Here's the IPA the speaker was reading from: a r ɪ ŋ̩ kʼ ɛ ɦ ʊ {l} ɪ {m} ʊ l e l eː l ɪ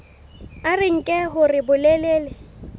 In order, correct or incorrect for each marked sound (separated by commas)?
incorrect, incorrect